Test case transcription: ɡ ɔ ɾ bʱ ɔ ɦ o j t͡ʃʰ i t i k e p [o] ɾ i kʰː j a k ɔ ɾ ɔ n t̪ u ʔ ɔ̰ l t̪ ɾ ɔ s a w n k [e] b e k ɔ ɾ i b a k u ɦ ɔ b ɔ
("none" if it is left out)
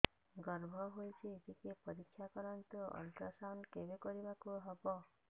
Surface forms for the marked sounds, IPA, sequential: ɔ, e

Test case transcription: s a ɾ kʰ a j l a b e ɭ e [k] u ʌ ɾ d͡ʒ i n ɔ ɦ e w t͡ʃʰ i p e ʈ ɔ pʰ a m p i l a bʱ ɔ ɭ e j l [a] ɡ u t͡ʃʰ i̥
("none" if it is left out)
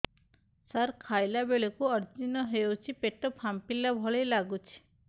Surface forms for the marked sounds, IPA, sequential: k, a

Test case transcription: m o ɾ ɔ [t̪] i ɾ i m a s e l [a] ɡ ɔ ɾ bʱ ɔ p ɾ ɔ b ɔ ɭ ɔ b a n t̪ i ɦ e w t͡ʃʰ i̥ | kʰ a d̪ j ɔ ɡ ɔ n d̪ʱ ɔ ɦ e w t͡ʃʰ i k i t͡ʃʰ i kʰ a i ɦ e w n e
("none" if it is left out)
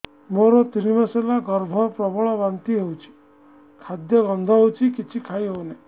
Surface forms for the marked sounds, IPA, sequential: t̪, a

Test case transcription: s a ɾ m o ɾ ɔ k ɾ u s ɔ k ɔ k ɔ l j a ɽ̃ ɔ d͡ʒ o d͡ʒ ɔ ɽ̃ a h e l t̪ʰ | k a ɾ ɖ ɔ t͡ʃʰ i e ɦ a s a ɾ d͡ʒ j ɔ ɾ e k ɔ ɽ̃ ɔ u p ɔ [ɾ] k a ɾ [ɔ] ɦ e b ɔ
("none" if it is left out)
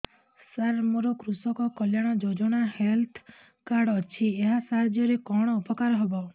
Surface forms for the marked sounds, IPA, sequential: none, ɔ

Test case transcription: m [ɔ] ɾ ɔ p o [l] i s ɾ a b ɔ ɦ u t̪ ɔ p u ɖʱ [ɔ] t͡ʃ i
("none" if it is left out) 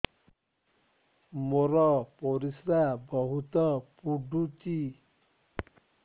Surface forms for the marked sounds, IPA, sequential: o, ɾ, u

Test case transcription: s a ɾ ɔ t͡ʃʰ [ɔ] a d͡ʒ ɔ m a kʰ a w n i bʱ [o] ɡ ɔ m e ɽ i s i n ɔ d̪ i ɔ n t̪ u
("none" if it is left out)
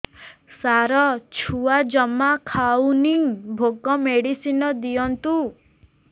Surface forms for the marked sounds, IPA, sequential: u, o

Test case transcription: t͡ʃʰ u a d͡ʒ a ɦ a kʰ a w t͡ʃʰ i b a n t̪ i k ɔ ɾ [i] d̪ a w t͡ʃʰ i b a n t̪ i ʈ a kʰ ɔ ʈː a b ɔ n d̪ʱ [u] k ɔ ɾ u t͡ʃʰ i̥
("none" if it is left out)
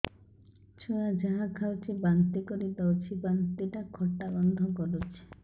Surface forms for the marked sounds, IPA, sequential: i, ɔ

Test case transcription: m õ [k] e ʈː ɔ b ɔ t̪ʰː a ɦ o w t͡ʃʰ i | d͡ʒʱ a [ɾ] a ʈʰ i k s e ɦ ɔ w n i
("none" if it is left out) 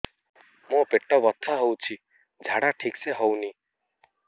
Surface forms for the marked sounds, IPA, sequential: p, ɽ

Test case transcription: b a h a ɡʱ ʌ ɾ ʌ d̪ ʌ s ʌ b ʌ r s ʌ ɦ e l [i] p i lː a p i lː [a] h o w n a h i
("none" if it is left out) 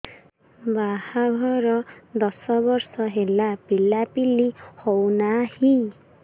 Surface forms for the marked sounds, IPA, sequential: a, i

